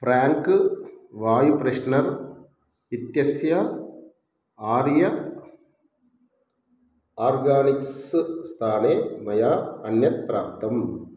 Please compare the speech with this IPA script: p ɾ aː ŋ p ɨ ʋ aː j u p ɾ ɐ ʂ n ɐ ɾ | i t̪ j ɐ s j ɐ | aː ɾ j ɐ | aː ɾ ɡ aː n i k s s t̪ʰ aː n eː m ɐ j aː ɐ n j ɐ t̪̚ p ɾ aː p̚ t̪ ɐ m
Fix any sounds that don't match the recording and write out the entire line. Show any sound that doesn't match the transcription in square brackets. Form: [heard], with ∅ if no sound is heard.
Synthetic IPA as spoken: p ɾ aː ŋ [k] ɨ ʋ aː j u p ɾ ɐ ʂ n ɐ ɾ | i t̪ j ɐ s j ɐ | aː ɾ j ɐ | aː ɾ ɡ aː n i k s s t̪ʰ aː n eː m ɐ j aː ɐ n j ɐ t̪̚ p ɾ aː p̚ t̪ ɐ m